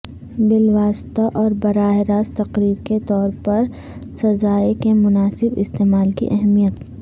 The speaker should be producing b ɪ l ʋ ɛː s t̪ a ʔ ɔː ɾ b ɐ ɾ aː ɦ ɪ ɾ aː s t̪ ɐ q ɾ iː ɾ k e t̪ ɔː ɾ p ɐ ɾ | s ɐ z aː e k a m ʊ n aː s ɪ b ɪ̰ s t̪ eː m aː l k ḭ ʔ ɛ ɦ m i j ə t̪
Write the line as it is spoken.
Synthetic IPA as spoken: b ɪ l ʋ aː s t̪ a ʔ ɔː ɾ b ɐ ɾ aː ɦ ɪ ɾ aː s t̪ ɐ q ɾ iː ɾ k e t̪ ɔː ɾ p ɐ ɾ | s ɐ z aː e k e m ʊ n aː s ɪ b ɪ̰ s t̪ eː m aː l k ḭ ʔ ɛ ɦ m i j ə t̪